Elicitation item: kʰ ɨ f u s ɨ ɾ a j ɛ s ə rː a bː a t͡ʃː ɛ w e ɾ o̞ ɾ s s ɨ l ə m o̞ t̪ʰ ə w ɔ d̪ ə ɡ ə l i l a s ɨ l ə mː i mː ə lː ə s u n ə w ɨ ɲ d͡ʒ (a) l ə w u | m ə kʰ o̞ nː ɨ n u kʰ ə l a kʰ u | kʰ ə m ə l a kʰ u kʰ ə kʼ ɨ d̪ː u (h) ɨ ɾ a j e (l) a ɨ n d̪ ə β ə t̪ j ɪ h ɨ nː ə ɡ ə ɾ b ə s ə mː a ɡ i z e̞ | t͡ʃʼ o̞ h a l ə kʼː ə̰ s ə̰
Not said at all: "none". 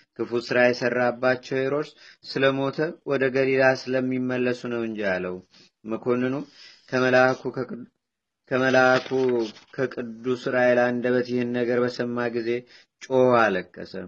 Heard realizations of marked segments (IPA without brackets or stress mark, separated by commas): a, s, l